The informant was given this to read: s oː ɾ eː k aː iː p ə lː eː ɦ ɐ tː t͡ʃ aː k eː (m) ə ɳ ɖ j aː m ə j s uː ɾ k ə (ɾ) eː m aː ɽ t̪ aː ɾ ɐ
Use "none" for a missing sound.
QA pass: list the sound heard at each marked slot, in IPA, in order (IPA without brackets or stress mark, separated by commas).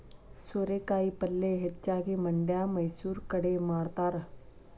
m, ɽ